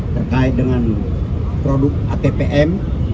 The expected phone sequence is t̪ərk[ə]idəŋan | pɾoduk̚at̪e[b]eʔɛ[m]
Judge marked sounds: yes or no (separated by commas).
no, no, yes